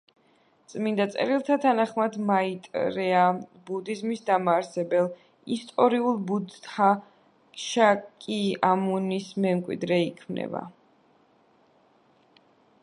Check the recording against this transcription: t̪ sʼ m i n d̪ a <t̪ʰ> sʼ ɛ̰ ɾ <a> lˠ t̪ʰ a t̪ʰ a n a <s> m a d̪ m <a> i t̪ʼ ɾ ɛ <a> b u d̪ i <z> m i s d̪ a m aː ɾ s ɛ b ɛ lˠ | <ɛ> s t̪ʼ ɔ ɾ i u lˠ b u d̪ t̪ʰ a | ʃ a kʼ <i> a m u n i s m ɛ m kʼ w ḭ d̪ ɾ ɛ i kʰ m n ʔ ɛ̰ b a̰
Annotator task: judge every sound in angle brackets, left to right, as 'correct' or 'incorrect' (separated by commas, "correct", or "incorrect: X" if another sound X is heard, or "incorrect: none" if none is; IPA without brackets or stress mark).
incorrect: t̪, incorrect: i, incorrect: χ, correct, correct, correct, incorrect: i, correct